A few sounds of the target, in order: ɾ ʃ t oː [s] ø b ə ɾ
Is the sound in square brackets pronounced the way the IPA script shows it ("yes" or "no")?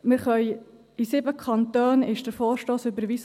yes